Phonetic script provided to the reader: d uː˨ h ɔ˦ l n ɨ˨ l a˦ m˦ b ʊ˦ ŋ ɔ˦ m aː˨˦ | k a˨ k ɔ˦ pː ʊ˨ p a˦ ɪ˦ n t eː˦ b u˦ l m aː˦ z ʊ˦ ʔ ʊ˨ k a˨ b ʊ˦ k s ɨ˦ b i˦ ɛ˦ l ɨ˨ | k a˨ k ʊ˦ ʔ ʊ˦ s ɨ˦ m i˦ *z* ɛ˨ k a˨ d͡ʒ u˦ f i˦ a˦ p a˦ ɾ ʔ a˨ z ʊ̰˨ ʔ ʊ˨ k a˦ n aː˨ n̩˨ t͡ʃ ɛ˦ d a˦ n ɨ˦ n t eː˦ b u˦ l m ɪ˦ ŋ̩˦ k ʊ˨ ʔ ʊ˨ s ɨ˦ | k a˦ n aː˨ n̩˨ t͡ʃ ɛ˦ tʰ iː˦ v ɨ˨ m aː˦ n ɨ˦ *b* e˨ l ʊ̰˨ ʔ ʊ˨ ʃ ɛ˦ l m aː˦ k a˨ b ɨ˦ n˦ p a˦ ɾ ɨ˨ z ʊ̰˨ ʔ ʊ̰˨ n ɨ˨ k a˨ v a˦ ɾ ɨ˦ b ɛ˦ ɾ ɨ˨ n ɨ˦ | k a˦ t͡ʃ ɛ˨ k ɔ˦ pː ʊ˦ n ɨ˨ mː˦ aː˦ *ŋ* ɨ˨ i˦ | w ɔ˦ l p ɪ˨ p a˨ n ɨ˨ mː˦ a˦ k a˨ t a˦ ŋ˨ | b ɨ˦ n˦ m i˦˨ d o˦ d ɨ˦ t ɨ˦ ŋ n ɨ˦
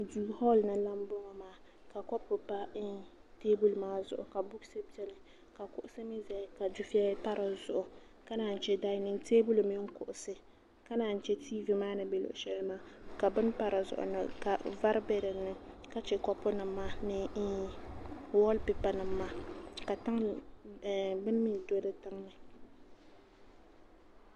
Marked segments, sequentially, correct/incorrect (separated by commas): correct, correct, incorrect